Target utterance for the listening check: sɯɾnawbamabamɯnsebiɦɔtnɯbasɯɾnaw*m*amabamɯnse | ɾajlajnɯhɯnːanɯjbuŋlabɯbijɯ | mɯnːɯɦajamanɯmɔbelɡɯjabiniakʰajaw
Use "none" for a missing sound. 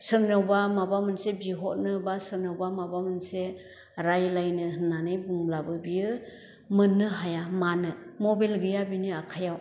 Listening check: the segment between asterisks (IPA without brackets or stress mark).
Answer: b